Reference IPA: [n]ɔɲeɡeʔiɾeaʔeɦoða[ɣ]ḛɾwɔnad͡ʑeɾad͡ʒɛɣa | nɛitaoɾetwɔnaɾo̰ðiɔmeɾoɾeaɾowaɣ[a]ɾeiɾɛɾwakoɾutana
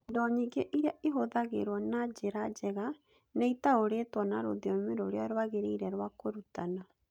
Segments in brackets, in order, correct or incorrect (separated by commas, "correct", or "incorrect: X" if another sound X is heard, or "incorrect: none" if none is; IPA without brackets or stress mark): incorrect: d, correct, incorrect: e